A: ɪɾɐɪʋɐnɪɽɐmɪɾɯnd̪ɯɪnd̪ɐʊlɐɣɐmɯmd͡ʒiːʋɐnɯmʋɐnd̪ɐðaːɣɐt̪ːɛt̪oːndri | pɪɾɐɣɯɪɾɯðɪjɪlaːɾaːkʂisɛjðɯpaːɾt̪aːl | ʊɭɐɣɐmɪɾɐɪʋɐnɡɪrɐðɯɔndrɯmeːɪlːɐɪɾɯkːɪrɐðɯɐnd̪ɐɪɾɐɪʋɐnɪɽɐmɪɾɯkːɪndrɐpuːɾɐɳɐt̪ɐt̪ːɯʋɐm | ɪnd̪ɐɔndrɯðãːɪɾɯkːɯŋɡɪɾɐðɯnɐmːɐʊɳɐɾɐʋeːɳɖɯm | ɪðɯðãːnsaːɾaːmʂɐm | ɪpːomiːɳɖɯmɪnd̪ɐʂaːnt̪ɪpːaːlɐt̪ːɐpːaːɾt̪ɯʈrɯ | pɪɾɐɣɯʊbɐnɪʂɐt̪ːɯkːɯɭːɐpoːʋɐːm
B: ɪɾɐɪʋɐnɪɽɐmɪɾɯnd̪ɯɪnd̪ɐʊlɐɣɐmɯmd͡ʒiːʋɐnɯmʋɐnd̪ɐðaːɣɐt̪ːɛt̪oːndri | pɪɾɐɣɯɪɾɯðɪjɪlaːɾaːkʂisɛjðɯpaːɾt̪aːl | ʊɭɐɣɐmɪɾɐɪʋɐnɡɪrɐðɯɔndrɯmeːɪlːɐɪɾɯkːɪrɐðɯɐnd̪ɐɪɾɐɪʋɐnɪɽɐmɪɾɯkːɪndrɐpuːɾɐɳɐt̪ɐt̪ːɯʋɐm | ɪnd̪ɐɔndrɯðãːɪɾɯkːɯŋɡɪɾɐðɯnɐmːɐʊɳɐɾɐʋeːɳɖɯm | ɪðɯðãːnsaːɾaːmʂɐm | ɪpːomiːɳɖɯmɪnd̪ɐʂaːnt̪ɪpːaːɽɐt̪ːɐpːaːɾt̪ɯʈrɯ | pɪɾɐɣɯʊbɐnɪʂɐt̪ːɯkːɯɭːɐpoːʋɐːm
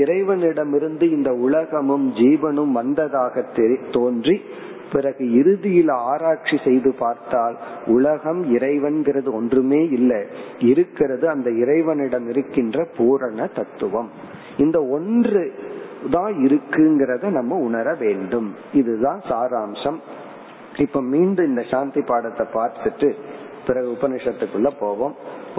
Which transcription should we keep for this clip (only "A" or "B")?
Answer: B